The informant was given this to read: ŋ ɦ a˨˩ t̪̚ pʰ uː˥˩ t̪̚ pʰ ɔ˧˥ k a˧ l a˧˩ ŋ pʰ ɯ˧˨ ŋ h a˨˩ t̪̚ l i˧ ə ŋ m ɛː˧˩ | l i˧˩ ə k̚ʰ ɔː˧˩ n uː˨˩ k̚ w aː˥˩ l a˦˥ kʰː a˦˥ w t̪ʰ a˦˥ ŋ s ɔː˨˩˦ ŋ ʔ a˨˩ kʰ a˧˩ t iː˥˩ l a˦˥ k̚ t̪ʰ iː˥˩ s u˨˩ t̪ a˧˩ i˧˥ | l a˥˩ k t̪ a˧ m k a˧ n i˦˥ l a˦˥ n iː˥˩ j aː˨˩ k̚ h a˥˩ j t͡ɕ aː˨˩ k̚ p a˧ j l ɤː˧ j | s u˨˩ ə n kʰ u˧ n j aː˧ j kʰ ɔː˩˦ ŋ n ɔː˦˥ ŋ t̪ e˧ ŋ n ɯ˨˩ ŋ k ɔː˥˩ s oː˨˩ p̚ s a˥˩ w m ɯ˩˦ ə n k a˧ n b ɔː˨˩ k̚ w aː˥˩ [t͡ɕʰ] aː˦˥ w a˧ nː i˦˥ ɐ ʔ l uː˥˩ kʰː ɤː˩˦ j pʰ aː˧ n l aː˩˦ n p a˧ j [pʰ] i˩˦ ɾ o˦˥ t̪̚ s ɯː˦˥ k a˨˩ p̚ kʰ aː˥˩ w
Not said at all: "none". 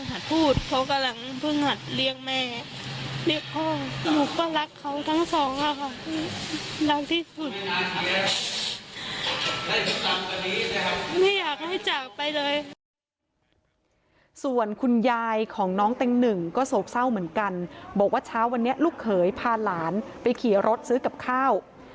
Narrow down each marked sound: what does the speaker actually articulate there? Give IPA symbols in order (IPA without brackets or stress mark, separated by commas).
t͡ɕʰ, kʰ